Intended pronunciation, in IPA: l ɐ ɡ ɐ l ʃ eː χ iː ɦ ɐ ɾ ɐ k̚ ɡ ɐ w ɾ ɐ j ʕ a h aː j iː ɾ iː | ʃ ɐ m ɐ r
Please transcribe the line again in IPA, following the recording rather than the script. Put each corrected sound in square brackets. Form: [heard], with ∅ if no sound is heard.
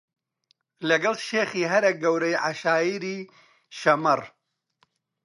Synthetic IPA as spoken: l ɐ ɡ ɐ l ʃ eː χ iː ɦ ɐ ɾ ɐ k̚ ɡ ɐ w ɾ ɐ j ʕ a [ʃ] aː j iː ɾ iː | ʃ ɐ m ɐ r